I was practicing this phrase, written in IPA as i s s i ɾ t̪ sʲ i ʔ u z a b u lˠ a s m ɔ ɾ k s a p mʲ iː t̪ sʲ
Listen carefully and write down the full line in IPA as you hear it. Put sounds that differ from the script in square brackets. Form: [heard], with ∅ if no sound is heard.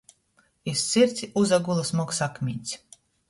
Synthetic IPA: i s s i ɾ t̪ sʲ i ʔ u z a [ɡ] u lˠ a s m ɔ [∅] k s a [k] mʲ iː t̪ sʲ